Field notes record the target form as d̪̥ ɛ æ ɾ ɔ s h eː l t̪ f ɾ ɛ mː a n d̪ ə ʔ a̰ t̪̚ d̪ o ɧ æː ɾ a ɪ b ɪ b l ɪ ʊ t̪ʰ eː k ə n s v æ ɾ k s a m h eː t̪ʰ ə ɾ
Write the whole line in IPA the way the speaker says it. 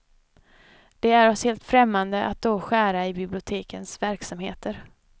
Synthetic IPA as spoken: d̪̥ ɛ æ ɾ ɔ s h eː l t̪ f ɾ ɛ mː a n d̪ ə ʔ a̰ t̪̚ d̪ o ɧ æː ɾ a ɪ b ɪ b l ɪ ʊ t̪ʰ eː k ə n s v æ ɾ k s a m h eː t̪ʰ ə ɾ